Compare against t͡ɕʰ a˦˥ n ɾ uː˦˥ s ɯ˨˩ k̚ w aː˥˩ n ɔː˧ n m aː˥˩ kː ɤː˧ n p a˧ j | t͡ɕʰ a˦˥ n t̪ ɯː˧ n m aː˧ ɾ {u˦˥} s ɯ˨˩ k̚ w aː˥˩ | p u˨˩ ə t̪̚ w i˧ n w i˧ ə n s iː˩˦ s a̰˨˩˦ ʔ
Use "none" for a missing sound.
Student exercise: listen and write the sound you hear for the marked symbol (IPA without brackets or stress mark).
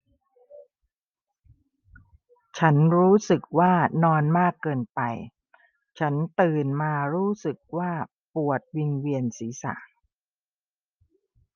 uː˦˥